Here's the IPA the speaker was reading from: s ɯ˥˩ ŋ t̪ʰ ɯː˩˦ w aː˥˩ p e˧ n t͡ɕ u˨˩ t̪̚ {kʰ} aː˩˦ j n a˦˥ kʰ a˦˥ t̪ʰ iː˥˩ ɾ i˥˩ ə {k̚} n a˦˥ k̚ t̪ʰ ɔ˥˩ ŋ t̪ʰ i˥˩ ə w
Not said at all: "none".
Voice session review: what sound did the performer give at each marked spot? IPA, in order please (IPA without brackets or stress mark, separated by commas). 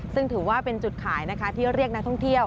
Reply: kʰ, k̚